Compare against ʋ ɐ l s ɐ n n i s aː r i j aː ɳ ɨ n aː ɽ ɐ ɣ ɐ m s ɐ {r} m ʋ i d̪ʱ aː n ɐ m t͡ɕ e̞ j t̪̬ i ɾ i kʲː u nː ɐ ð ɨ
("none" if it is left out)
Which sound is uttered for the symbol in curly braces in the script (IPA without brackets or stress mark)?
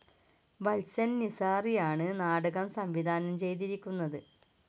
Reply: none